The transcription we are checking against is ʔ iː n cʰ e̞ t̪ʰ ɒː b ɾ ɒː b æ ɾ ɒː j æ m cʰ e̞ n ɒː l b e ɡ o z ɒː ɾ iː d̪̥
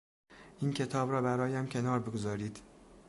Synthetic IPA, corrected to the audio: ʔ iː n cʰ e̞ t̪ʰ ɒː b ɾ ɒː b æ ɾ ɒː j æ m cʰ e̞ n ɒː ɾ b e ɡ o z ɒː ɾ iː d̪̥